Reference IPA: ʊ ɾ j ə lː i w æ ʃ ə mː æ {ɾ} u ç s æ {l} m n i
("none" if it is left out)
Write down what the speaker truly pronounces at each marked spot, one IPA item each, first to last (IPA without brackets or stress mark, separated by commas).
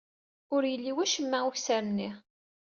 none, ɾ